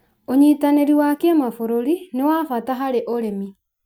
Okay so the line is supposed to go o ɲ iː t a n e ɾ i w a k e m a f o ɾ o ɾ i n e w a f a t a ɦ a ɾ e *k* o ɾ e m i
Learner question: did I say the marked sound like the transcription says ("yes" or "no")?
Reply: no